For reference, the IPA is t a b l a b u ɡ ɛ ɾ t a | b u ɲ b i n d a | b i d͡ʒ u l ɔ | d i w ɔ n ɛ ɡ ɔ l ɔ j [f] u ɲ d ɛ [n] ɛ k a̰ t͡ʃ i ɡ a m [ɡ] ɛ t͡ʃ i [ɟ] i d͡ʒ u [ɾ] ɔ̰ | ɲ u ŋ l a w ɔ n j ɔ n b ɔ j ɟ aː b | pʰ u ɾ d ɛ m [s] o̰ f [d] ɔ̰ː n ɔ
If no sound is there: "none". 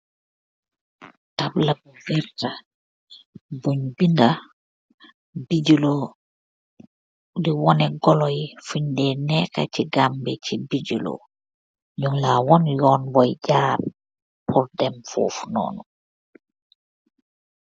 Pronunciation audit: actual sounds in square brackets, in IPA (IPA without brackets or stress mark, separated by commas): f, n, b, b, l, f, n